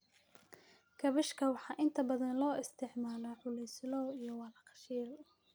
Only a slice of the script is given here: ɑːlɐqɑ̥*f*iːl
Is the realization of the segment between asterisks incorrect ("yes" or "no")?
yes